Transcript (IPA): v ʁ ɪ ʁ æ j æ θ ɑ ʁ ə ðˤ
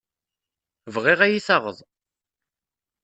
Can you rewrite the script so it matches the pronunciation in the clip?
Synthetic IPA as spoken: v ʁ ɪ ʁ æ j i θ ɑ ʁ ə ðˤ